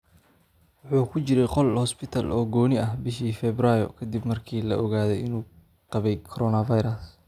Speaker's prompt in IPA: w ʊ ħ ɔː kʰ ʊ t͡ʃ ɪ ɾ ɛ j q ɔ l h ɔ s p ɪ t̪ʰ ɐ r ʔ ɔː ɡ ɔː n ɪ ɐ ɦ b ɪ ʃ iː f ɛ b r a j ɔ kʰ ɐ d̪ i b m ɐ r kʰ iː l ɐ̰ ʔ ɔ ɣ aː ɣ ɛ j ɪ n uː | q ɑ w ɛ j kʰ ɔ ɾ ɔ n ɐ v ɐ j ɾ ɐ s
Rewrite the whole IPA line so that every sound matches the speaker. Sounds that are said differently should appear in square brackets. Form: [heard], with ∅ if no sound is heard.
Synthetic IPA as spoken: w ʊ ħ [uː] kʰ ʊ t͡ʃ ɪ ɾ ɛ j q ɔ l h ɔ s p ɪ t̪ʰ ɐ [l] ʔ ɔː ɡ ɔː n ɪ ɐ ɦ b ɪ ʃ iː f ɛ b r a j ɔ kʰ ɐ d̪ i b m ɐ r kʰ iː l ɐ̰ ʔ ɔ ɣ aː [ð] ɛ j ɪ n uː | q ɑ [β] ɛ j kʰ ɔ ɾ ɔ n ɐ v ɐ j ɾ ɐ s